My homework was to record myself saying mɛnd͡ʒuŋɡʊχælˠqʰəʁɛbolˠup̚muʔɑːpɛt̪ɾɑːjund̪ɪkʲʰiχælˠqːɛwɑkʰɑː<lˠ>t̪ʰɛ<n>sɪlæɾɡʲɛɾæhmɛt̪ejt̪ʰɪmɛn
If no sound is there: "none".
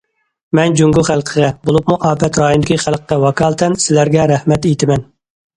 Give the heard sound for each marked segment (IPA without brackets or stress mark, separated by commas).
lˠ, n